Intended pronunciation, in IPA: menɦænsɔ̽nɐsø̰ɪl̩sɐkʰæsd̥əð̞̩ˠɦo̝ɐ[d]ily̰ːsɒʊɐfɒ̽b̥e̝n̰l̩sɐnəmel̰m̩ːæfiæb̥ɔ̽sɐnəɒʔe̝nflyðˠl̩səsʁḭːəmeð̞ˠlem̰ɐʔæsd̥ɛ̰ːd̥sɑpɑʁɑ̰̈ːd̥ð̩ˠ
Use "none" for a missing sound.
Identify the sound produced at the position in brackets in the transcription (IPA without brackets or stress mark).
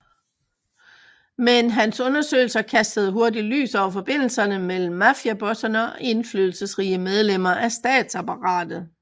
d